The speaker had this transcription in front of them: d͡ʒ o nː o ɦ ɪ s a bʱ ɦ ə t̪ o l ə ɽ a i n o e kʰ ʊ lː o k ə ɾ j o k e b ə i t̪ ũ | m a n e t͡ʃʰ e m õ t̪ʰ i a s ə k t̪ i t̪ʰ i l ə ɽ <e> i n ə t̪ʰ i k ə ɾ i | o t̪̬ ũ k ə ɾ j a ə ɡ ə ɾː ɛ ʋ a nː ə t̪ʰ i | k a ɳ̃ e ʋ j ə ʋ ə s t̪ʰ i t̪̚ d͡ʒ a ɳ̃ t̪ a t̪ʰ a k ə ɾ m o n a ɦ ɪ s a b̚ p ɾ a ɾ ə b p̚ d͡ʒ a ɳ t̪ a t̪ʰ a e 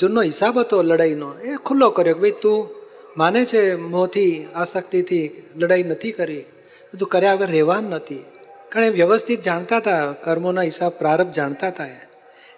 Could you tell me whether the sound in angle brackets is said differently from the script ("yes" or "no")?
yes